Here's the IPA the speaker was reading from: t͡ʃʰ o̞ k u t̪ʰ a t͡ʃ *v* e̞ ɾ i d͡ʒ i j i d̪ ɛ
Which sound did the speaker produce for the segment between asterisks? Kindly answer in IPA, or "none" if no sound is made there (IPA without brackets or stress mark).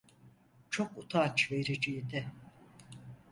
v